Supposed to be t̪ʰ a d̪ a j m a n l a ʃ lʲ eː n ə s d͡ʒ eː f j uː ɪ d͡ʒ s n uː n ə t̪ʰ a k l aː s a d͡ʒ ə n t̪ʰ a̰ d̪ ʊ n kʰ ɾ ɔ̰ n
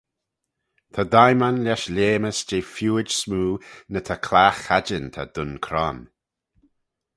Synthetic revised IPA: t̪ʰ a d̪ a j m a n l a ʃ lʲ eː m ə s d͡ʒ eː f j uː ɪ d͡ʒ s m uː n ə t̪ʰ a kʰ l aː x a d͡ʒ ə n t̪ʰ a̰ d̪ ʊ n kʰ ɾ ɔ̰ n